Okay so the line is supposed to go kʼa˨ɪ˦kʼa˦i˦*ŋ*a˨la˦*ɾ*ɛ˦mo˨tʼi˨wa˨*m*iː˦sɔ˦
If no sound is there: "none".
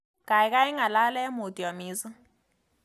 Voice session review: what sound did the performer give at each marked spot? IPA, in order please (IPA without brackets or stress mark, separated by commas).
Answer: ŋ, l, m